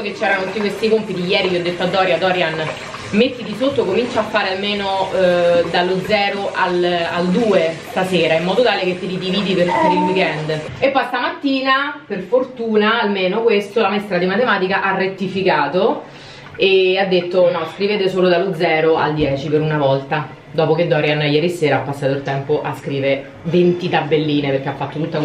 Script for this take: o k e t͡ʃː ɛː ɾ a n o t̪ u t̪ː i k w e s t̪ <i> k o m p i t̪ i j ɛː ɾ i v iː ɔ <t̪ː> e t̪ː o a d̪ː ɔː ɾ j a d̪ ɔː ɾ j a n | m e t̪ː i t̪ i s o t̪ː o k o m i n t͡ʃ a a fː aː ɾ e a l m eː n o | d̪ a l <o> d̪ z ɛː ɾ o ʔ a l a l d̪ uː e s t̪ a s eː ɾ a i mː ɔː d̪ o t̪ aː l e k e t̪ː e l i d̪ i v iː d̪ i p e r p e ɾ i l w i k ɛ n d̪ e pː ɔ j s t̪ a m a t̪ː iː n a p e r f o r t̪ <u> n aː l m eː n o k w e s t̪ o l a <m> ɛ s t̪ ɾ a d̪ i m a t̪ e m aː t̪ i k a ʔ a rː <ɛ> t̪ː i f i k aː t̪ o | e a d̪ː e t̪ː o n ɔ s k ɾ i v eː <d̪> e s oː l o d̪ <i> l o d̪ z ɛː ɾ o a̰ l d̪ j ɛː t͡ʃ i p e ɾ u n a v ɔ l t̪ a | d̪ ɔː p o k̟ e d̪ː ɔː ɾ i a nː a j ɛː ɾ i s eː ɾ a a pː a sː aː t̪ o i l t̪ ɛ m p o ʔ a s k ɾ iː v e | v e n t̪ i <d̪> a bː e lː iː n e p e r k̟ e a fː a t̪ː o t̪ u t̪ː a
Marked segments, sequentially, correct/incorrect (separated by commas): correct, incorrect, correct, incorrect, correct, incorrect, incorrect, incorrect, incorrect